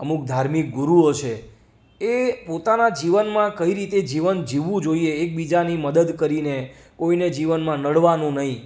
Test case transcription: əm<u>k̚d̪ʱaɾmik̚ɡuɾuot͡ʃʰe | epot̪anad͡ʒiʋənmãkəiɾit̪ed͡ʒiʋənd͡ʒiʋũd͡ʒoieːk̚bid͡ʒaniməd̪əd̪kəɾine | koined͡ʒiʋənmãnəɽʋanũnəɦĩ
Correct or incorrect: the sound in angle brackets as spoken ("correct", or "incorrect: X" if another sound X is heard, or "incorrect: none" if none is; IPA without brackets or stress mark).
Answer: correct